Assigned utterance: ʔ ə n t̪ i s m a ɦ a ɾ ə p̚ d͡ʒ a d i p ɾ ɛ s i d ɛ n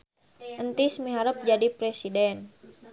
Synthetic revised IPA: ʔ ə n t̪ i s m i ɦ a ɾ ə p̚ d͡ʒ a d i p ɾ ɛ s i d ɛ n